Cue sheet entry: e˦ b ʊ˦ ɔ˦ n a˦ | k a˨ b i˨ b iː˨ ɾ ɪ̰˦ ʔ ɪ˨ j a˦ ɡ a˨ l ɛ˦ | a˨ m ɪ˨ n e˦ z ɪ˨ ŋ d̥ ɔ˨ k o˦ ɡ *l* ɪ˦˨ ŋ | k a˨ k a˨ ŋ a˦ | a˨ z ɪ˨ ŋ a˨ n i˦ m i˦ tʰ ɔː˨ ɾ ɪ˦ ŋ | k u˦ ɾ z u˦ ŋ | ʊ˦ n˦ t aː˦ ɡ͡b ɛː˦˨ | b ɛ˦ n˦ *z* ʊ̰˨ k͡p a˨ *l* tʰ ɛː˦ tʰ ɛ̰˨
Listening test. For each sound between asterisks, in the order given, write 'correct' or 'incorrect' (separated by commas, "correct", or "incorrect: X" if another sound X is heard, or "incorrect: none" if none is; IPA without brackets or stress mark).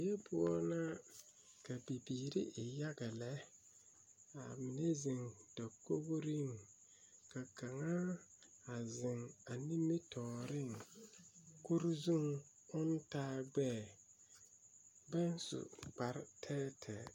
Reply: incorrect: ɾ, incorrect: s, incorrect: ɾ